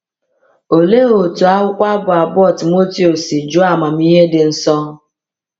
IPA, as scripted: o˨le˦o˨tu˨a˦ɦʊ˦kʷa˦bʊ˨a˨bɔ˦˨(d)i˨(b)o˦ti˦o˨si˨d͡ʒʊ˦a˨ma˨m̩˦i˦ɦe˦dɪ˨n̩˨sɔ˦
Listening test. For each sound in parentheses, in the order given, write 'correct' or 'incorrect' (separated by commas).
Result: incorrect, incorrect